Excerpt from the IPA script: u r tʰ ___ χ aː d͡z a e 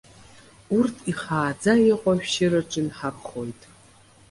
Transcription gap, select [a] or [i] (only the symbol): i